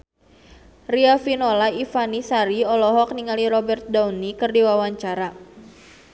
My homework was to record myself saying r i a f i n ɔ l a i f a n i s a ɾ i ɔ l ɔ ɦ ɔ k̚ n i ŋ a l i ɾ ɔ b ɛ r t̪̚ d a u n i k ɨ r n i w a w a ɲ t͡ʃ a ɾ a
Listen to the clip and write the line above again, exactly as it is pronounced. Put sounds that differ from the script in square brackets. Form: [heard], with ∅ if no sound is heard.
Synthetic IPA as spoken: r i a f i n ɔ l a i f a n i s a ɾ i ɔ l ɔ ɦ ɔ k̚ n i ŋ a l i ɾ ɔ b ɛ r t̪̚ d a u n i k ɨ r [d] i w a w a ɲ t͡ʃ a ɾ a